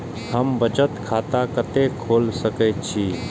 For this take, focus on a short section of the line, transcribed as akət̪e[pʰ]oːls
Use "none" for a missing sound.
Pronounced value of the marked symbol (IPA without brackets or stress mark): kʰ